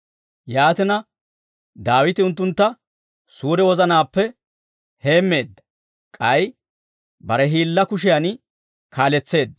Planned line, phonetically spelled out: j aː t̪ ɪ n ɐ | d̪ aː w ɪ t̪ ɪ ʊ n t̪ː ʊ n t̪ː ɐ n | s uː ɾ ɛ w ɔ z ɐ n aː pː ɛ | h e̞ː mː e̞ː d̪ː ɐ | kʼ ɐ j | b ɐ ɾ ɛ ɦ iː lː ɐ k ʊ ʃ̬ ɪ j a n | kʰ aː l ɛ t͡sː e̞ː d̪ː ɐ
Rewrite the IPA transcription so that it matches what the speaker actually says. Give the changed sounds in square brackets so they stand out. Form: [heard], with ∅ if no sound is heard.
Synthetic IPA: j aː t̪ ɪ n ɐ | d̪ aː w ɪ t̪ ɪ ʊ n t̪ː ʊ n t̪ː ɐ [∅] | s uː ɾ ɛ w ɔ z ɐ n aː pː ɛ | h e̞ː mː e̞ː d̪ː ɐ | kʼ ɐ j | b ɐ ɾ ɛ ɦ iː lː ɐ k ʊ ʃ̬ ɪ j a n | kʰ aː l ɛ t͡sː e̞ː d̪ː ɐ